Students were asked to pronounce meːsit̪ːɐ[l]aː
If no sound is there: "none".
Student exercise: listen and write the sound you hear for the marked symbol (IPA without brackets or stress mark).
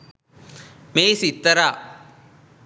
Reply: ɾ